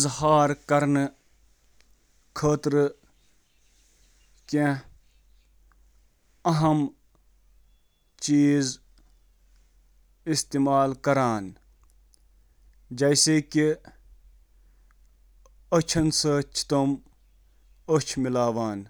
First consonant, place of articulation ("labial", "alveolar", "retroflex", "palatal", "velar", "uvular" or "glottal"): alveolar